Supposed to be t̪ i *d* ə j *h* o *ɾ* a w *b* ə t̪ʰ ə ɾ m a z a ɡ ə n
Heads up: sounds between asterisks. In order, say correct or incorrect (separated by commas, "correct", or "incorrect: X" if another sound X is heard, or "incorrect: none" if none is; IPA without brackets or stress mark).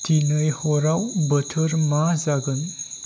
incorrect: n, correct, correct, correct